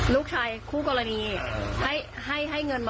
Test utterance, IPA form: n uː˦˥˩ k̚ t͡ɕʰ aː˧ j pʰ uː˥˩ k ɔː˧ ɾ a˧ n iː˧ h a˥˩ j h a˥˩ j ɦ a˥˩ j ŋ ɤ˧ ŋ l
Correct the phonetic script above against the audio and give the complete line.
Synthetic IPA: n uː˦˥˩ k̚ t͡ɕʰ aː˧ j kʰ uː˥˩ k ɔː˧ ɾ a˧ n iː˧ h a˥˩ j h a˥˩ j ɦ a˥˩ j ŋ ɤ˧ n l